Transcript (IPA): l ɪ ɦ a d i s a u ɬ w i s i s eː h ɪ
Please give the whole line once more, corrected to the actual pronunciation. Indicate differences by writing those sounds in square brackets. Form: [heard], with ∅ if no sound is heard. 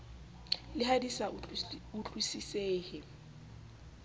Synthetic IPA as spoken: l ɪ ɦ a d i s a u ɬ w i s i s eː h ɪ